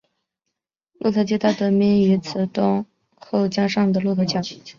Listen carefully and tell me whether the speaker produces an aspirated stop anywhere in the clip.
yes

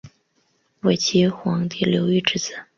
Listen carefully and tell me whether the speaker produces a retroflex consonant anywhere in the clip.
yes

